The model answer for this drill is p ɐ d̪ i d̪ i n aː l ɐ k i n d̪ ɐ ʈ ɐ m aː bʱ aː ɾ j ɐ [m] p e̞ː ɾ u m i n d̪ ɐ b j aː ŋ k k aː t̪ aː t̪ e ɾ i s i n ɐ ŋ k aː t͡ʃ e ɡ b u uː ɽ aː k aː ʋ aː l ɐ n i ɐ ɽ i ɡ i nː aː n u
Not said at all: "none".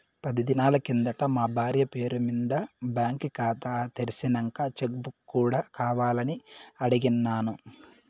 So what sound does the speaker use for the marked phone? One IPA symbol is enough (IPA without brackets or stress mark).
none